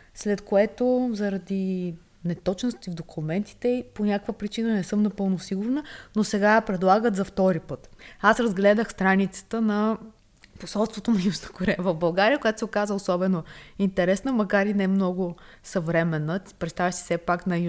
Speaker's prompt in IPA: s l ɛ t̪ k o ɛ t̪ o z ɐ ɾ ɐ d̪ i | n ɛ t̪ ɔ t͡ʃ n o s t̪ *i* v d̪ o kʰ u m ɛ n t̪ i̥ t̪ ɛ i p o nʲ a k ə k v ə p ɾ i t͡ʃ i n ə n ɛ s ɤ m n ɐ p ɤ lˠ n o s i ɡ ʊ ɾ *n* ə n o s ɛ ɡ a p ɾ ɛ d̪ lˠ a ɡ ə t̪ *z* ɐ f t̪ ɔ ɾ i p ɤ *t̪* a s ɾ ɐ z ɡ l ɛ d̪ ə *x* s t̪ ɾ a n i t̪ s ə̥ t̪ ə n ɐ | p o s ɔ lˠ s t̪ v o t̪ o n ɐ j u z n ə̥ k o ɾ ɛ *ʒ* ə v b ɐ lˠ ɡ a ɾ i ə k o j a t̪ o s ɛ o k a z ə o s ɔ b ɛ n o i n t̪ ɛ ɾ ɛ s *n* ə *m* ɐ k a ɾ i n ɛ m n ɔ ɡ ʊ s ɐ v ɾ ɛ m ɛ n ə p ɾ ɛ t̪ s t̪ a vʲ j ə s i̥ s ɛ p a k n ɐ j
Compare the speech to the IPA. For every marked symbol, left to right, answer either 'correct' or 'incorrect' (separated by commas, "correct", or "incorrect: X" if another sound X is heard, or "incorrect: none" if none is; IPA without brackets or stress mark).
correct, correct, correct, correct, correct, incorrect: v, correct, correct